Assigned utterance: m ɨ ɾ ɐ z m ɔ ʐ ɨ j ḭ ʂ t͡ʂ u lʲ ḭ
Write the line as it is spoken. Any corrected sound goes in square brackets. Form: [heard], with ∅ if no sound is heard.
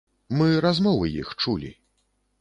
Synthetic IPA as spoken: m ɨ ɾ [a] z m ɔ [v] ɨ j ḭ [x] t͡ʂ u lʲ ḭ